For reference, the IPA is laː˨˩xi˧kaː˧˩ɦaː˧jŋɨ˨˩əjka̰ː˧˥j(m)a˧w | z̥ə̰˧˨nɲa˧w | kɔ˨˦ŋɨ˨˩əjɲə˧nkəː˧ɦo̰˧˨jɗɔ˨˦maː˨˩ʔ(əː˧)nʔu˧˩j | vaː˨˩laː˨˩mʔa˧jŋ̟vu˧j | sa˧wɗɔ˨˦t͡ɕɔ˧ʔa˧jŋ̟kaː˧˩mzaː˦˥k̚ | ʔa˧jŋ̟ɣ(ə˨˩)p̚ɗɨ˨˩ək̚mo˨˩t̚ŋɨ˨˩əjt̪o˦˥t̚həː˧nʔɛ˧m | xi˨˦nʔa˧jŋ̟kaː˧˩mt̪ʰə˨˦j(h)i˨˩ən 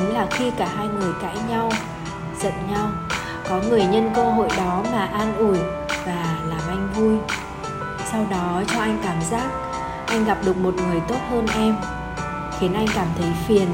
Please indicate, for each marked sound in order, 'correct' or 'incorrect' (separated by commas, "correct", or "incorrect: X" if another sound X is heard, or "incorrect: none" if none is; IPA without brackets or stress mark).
incorrect: ɲ, incorrect: aː˧, incorrect: a˨˩, incorrect: f